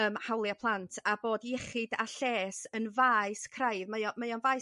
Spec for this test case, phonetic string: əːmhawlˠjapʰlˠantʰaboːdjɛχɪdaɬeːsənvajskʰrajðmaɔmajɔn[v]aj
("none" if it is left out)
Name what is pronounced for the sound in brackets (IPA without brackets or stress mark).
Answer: v